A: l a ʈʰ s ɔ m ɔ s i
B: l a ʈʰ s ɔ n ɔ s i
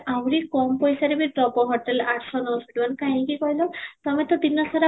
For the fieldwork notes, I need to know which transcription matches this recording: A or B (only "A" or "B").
B